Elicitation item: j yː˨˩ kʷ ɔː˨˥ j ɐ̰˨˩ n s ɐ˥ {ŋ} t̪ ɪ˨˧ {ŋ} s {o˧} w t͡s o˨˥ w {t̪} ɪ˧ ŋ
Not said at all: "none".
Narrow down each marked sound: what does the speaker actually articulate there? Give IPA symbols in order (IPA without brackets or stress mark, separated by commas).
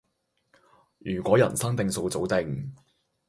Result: ŋ, ŋ, o˧, t̪